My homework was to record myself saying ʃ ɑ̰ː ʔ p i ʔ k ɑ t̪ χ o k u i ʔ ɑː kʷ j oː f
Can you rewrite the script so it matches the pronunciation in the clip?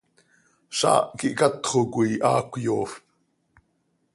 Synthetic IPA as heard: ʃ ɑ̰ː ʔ k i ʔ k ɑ t̪ χ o k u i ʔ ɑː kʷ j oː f

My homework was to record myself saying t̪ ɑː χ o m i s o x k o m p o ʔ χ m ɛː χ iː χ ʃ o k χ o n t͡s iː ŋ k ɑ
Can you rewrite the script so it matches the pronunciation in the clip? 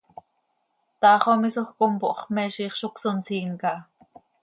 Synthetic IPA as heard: t̪ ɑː χ o m i s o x k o m p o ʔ χ m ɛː ʃ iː χ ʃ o k s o n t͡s iː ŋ k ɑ

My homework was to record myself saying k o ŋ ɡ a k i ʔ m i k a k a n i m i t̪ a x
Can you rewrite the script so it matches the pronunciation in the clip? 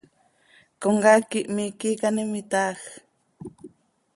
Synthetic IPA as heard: k o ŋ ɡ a k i ʔ m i k i k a n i m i t̪ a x

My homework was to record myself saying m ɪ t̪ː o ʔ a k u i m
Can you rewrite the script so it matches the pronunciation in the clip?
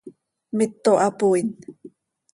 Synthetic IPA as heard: m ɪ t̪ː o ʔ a p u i n

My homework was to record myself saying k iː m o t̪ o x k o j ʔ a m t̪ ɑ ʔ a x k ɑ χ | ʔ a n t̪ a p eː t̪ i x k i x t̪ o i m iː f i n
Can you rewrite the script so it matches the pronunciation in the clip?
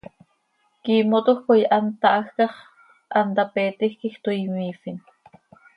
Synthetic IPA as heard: k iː m o t̪ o x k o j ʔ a n t̪ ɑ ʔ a x k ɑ χ | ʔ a n t̪ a p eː t̪ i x k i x t̪ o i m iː f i n

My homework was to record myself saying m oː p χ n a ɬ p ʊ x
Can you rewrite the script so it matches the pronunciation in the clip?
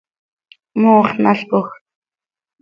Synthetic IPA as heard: m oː χ n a ɬ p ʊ x

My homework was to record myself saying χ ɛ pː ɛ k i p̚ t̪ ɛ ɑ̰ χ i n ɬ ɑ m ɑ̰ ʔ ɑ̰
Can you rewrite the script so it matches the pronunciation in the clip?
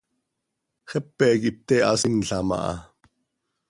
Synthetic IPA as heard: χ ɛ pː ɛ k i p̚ t̪ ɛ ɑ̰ s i n ɬ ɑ m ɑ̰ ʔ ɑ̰

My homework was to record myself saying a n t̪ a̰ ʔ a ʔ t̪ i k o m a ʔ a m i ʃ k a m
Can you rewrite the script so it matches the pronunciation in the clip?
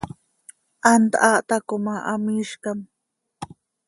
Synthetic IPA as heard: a n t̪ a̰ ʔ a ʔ t̪ a k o m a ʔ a m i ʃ k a m

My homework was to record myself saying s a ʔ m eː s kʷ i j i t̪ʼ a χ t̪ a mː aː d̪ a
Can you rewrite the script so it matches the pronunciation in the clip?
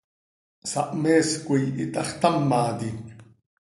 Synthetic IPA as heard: s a ʔ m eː s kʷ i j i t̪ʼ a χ t̪ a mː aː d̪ i

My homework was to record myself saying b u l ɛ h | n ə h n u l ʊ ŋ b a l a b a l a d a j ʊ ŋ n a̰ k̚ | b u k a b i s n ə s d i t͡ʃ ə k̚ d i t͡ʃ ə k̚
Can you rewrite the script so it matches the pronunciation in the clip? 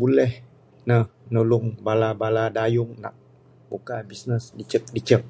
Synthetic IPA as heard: b u l ɛ h | n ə h n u l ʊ ŋ b a l a b a l a d a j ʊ ŋ n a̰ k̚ | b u k a b i s n ə s d i t͡ʃ ə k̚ d i t͡ʃ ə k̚

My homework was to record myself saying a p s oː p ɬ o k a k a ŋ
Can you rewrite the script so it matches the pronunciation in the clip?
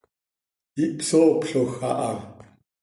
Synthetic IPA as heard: i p s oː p ɬ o x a ʔ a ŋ

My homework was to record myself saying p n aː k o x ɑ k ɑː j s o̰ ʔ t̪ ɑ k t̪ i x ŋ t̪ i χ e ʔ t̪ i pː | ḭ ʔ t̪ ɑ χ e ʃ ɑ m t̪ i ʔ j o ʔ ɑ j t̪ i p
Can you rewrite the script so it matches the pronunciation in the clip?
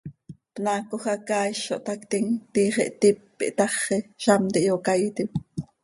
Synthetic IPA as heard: p n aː k o x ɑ k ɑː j ʃ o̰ ʔ t̪ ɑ k t̪ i ŋ t̪ i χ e ʔ t̪ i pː | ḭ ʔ t̪ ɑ χ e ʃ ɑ m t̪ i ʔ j o k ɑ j t̪ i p

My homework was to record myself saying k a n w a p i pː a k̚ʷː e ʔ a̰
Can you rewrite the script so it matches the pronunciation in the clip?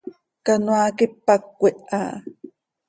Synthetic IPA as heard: k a n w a k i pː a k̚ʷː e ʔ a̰

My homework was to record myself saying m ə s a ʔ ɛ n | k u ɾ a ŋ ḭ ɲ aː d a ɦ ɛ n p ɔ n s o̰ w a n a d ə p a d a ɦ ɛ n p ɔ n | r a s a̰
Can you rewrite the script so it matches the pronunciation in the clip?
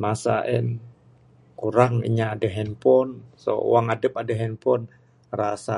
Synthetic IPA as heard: m a s a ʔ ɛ n | k u ɾ a ŋ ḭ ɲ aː d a ɦ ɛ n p ɔ n s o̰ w a ŋ a d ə p a d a ɦ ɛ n p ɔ n | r a s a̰

